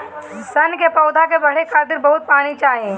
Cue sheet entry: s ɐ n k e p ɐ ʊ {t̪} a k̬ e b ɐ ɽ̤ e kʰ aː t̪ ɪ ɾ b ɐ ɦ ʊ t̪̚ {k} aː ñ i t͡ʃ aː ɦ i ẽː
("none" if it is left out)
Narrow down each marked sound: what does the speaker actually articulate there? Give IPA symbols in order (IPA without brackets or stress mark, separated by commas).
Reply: d̪, p